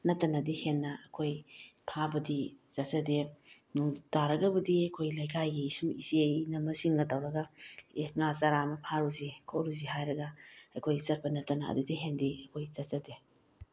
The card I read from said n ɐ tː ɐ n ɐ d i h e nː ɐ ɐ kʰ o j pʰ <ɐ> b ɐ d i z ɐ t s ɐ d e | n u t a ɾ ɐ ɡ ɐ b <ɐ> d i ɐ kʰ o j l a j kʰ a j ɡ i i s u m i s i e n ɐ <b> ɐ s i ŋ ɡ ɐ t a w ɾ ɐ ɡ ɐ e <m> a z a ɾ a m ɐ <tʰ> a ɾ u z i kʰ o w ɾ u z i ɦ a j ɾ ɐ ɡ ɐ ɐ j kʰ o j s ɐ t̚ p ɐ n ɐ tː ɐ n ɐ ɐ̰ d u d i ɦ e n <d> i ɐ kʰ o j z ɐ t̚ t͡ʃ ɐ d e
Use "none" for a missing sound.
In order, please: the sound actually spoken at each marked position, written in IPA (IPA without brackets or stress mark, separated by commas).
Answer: a, ɐ, m, ŋ, pʰ, d